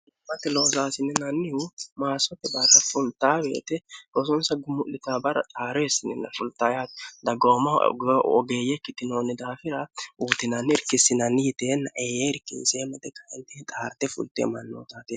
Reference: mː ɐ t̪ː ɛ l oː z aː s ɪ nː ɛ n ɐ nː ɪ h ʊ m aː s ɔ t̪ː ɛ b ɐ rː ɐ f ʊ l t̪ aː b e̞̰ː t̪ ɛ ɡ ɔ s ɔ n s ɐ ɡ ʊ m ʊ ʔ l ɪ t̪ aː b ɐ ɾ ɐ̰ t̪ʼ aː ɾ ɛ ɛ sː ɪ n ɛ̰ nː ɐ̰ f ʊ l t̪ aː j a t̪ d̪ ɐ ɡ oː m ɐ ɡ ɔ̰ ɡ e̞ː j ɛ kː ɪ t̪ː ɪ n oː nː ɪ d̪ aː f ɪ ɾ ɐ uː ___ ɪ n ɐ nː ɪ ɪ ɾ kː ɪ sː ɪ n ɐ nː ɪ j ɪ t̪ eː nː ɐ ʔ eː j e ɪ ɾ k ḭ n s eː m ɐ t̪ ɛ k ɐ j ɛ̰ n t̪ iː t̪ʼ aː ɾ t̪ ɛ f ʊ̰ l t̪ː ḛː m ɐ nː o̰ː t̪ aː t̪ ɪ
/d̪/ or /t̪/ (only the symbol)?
t̪